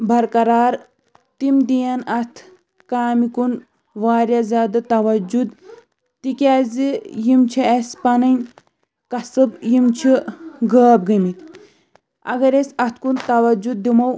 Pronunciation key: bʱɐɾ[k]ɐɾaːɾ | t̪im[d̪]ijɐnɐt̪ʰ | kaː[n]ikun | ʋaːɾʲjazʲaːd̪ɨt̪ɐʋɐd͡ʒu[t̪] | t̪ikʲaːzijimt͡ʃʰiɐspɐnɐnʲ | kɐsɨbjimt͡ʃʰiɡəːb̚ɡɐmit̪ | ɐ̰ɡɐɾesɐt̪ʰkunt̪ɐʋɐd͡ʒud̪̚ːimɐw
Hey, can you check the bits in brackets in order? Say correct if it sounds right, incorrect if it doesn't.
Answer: correct, correct, incorrect: m, incorrect: d̪

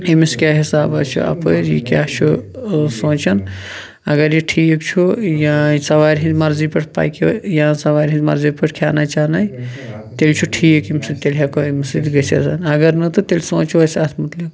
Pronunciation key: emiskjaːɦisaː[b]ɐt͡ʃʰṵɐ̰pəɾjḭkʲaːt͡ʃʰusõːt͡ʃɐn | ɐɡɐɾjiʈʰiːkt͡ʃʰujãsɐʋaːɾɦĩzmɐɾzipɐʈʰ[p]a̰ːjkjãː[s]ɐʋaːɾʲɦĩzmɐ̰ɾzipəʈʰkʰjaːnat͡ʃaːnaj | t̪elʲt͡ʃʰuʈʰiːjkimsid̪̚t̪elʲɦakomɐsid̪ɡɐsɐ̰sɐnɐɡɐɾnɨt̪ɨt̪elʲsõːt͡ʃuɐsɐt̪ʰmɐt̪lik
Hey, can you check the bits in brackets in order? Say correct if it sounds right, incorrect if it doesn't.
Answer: correct, correct, correct

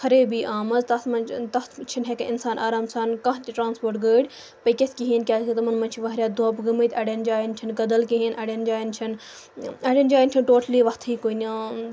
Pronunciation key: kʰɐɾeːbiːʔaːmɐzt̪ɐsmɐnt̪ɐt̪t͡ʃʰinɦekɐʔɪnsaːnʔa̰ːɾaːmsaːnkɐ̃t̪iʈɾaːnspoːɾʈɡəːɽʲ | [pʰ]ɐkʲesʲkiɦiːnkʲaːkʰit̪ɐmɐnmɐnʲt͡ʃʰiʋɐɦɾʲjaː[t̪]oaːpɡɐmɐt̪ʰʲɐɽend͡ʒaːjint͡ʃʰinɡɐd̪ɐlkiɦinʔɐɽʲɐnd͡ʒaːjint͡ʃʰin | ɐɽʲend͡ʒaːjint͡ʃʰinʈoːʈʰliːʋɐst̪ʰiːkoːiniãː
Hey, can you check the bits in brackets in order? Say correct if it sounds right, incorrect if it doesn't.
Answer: incorrect: p, incorrect: d̪

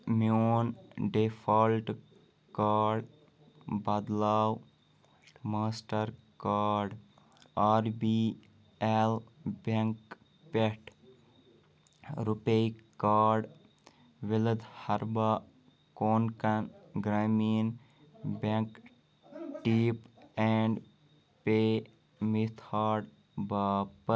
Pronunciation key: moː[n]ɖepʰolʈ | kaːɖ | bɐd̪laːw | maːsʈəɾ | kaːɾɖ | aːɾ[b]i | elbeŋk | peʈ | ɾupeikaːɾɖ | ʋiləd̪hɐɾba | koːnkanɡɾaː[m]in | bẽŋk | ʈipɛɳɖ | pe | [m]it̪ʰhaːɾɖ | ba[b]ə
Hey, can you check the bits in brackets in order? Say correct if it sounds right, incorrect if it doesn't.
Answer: correct, correct, correct, correct, incorrect: p

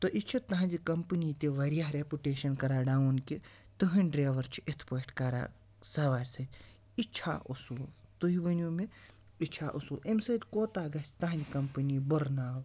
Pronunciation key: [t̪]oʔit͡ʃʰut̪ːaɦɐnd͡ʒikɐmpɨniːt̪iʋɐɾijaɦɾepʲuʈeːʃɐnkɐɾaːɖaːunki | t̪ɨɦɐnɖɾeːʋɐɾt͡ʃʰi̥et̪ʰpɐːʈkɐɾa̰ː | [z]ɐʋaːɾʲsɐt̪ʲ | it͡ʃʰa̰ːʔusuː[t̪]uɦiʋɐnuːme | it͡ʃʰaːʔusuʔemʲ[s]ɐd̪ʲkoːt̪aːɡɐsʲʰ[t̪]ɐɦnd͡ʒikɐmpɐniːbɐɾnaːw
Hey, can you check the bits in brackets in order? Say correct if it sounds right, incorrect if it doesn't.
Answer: correct, incorrect: s, correct, correct, correct

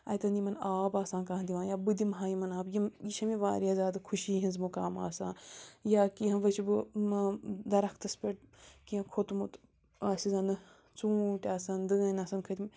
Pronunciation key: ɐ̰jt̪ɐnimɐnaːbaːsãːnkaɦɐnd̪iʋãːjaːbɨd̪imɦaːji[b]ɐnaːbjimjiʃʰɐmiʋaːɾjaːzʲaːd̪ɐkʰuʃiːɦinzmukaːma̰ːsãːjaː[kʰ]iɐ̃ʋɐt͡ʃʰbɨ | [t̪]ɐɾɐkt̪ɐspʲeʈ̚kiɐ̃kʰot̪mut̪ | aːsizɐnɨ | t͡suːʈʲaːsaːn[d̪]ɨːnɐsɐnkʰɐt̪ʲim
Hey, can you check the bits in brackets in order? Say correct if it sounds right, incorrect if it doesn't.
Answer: incorrect: m, incorrect: k, incorrect: d̪, correct

